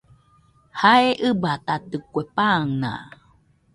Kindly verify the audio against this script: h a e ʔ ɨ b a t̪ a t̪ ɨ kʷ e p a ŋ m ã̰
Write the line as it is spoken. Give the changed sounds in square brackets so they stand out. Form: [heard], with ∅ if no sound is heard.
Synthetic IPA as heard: h a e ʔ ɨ b a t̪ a t̪ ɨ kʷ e p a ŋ [n] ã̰